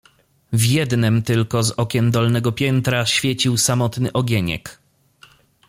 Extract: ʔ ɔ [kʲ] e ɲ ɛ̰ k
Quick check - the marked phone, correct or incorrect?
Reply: incorrect